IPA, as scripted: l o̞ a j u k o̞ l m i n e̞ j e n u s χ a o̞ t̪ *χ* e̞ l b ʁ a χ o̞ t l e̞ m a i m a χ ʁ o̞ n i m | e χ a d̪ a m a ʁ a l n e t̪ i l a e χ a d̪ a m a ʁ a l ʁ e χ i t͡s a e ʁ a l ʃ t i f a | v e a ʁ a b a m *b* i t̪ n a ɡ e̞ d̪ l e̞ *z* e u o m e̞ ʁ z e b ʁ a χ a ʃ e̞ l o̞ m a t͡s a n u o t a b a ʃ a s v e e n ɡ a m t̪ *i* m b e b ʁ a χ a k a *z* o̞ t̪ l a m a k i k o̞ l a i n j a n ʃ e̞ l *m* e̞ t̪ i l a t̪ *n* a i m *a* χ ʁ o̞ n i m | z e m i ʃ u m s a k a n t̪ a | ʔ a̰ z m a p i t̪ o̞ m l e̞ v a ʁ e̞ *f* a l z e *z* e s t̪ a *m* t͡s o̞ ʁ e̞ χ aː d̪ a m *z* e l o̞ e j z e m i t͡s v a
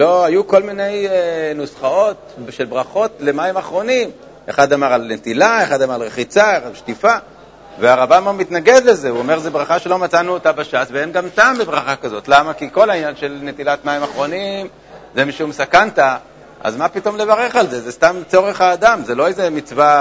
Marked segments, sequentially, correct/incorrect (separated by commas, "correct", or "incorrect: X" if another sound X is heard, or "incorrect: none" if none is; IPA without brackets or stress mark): incorrect: ʃ, incorrect: m, correct, incorrect: a, correct, incorrect: n, incorrect: m, correct, incorrect: χ, correct, correct, correct